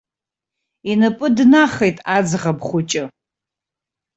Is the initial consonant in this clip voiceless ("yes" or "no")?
no